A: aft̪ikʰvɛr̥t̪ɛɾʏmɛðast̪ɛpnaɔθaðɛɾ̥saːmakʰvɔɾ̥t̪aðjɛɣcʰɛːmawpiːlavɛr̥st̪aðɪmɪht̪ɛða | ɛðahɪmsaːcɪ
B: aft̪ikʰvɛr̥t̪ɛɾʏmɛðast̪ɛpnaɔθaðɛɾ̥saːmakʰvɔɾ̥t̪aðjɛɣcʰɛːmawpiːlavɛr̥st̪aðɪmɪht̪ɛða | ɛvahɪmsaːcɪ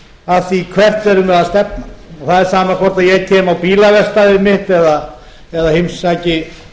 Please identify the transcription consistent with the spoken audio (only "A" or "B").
A